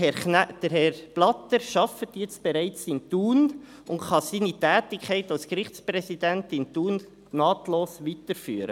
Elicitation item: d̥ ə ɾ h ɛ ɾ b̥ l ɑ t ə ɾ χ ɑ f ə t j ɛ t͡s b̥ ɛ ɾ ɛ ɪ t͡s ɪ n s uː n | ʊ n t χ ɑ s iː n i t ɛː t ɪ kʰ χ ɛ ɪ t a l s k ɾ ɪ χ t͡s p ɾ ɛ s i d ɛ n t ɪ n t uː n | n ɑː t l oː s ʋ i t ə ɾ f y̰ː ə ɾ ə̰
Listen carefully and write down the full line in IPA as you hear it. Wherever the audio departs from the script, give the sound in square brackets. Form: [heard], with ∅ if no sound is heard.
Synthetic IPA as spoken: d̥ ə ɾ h ɛ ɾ b̥ l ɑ t ə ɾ [ʃ] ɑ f ə t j ɛ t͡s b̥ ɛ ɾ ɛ ɪ t͡s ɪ n [t] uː n | ʊ n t χ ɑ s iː n i t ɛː t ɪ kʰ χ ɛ ɪ t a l s k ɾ ɪ χ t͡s p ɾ ɛ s i d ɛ n t ɪ n t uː n | n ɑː t l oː s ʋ i t ə ɾ f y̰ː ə ɾ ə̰